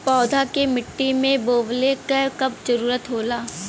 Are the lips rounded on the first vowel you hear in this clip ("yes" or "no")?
yes